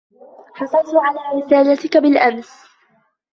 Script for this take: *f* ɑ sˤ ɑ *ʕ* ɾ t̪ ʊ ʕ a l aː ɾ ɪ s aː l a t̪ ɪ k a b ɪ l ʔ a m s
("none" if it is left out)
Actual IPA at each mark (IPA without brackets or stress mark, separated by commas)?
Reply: ħ, none